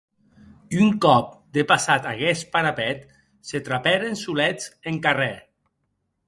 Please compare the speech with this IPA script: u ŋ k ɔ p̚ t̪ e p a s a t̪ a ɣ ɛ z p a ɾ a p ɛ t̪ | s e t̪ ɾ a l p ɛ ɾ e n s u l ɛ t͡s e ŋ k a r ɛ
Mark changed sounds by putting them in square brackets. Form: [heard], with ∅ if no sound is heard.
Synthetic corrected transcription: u ŋ k ɔ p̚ [d̪] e p a s a t̪ a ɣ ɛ [s] p a ɾ a p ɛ t̪ | s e t̪ ɾ a [∅] p ɛ ɾ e n s u l ɛ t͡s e ŋ k a r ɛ